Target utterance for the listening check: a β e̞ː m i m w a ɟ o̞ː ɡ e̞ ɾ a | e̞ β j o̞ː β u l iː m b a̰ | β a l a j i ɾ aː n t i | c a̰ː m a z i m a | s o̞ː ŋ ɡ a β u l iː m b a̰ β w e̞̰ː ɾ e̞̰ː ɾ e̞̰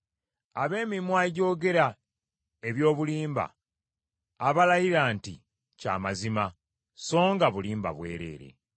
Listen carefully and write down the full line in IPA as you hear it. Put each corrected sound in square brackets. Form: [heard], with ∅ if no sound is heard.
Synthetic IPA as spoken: a β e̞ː m i m w a ɟ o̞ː ɡ e̞ ɾ a | e̞ β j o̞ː β u l iː m b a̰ | β a l a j i ɾ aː n t i | c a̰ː m a z i m a | s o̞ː ŋ ɡ a β u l iː m b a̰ β w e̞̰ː ɾ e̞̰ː ɾ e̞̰